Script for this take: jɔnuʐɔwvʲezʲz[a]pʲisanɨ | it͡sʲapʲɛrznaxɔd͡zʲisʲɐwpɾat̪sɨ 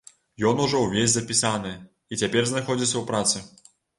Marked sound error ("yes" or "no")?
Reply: yes